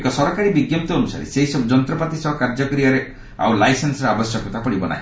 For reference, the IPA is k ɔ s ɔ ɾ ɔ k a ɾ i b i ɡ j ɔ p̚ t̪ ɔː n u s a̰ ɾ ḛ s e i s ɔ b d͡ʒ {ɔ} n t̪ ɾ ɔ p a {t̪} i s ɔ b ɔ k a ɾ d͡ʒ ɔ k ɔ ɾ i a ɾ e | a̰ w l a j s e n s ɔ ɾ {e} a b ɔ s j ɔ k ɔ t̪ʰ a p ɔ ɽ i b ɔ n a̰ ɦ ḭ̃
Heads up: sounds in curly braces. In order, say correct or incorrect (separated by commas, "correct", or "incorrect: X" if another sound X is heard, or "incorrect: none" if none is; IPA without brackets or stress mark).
correct, correct, correct